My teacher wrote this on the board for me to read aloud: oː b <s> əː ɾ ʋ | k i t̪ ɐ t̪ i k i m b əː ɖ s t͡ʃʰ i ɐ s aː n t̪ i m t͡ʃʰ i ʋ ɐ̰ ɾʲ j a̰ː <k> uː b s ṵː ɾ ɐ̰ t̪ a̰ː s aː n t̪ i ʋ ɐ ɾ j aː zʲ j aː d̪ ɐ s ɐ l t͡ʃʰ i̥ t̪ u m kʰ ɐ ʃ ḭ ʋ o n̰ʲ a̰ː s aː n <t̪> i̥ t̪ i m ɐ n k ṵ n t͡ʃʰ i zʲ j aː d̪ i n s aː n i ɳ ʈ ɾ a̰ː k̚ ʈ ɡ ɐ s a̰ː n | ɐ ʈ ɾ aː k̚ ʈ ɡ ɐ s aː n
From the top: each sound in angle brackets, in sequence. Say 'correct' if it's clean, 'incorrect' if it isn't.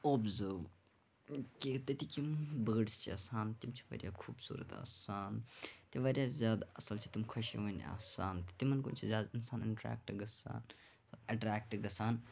incorrect: z, incorrect: kʰ, correct

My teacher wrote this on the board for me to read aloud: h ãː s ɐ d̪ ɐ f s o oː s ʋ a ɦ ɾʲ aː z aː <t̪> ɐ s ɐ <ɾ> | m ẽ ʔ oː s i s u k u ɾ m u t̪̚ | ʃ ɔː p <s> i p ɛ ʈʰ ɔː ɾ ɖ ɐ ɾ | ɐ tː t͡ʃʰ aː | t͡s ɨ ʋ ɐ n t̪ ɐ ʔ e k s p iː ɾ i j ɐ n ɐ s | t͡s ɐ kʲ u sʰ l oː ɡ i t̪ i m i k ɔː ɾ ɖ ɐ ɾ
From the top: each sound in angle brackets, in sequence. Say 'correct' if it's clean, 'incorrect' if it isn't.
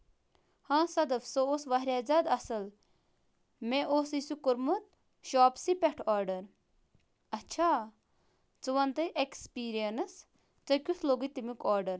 incorrect: d̪, incorrect: l, correct

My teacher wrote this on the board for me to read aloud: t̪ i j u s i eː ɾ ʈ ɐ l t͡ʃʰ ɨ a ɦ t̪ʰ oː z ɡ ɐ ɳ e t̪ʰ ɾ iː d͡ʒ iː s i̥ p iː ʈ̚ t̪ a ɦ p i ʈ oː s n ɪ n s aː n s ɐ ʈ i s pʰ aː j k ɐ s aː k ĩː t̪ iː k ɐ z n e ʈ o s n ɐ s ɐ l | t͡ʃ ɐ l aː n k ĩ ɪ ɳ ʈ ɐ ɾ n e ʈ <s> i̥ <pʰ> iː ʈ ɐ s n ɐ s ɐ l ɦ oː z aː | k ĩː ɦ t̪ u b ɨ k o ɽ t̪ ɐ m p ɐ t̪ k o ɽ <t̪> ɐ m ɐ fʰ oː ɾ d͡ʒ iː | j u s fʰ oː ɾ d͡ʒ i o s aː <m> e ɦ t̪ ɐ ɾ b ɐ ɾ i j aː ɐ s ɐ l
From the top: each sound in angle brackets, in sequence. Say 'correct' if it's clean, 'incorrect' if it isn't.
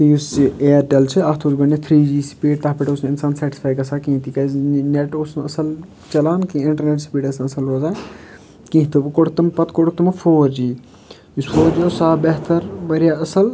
correct, incorrect: p, correct, incorrect: b

